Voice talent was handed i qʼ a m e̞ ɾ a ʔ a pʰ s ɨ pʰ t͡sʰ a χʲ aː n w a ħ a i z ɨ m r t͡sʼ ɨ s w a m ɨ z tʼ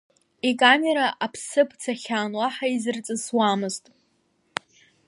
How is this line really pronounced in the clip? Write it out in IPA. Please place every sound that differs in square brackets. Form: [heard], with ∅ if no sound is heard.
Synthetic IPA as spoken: i [kʼ] a m e̞ ɾ a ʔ a pʰ s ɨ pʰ t͡sʰ a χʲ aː n w a ħ a i z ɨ [∅] r t͡sʼ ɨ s w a m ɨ z tʼ